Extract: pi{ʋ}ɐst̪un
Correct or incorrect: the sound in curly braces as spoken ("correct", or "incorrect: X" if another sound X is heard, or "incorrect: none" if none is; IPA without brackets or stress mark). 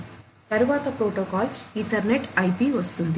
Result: correct